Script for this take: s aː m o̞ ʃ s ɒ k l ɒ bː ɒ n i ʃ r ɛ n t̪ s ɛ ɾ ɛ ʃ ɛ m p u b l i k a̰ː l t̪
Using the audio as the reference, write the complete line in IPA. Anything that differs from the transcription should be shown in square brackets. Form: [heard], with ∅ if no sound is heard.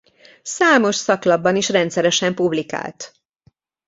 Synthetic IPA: s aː m o̞ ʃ s ɒ k l ɒ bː ɒ n i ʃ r ɛ n t̪ s ɛ ɾ ɛ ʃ ɛ m p u b l i k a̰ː l t̪